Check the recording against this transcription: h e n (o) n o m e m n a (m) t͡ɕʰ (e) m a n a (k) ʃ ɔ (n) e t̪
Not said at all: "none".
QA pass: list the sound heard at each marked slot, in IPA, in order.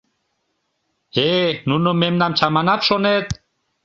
u, m, a, p, n

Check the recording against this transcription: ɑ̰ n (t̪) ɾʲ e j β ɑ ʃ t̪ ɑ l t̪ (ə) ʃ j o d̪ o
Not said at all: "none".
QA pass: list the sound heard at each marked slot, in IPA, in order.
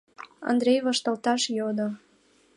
d̪, ɑ

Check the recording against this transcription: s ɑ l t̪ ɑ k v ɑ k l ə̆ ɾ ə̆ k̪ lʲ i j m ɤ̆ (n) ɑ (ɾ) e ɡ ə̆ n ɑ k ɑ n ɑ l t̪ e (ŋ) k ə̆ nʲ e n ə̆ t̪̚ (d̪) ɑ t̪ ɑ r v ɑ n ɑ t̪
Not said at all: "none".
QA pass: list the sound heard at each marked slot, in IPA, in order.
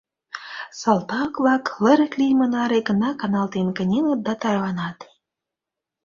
n, ɾ, n, d̪

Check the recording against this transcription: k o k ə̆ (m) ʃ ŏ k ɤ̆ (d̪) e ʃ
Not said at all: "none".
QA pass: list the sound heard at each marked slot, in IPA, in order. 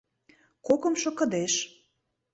m, d̪

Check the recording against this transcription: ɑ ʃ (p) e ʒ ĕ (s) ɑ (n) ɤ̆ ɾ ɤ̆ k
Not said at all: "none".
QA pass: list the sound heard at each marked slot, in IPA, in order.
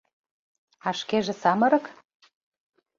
k, s, m

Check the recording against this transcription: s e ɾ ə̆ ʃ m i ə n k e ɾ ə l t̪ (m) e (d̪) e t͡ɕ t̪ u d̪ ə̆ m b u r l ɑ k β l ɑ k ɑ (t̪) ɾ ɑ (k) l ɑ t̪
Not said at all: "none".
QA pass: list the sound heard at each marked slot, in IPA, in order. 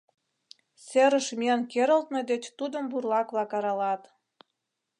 n, d̪, none, none

